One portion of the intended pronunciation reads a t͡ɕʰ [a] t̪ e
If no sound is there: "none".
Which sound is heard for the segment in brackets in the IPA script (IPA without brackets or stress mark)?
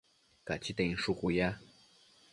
i